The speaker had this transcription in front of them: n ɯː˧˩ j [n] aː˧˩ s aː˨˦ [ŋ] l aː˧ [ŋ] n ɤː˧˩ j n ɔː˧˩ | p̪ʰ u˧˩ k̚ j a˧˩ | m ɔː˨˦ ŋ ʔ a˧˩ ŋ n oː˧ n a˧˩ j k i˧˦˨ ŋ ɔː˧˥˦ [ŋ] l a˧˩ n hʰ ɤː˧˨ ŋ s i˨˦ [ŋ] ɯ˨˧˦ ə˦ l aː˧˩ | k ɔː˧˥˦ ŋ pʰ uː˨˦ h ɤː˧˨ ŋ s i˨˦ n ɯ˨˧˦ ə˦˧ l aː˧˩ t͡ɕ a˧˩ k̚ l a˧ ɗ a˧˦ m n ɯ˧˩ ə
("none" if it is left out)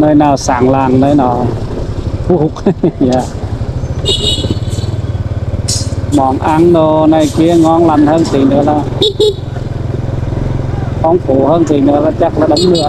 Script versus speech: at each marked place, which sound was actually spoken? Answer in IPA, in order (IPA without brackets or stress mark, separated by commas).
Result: n, ŋ, ŋ, ŋ, n